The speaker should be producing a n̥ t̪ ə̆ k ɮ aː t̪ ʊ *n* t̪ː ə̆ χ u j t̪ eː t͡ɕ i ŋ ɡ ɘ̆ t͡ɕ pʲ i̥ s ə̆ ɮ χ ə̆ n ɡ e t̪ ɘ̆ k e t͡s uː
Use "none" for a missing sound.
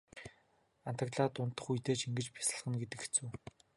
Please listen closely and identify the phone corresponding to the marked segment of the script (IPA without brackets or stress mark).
n